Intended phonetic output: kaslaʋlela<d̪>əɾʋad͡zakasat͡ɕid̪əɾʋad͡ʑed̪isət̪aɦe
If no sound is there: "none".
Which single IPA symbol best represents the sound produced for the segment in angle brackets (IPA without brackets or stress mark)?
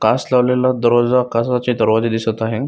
d̪